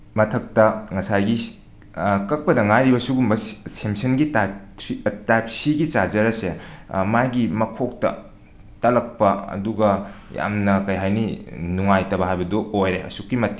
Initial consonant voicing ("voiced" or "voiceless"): voiced